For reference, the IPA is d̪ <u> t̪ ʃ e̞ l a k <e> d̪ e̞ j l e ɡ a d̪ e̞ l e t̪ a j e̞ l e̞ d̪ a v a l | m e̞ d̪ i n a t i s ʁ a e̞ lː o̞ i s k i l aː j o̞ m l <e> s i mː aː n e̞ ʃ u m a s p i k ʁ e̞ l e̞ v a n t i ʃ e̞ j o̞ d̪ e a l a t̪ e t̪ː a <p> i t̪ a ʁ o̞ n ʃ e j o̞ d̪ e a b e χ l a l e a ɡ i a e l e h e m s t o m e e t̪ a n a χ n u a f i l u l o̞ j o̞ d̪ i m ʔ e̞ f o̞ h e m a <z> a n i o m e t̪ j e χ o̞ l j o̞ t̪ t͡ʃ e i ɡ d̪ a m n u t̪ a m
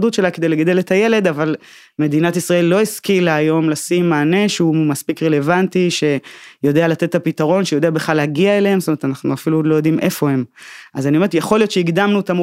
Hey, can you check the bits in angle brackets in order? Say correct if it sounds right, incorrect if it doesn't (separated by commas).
correct, correct, incorrect, correct, correct